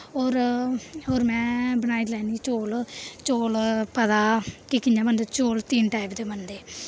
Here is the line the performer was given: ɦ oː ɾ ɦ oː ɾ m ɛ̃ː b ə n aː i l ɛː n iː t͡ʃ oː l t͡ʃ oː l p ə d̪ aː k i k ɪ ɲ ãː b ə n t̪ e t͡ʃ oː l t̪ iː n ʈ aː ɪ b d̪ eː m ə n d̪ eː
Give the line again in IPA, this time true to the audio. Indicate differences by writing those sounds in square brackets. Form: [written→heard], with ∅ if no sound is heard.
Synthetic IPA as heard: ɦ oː ɾ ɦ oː ɾ m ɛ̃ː b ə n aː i l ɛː n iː t͡ʃ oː l t͡ʃ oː l p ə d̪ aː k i k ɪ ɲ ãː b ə n [t̪→d̪] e t͡ʃ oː l t̪ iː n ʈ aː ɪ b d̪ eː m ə n d̪ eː